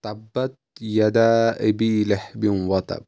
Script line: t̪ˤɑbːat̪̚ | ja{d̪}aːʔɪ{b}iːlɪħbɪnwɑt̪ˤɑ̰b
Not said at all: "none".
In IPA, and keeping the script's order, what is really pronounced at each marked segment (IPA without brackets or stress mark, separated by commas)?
d̪, b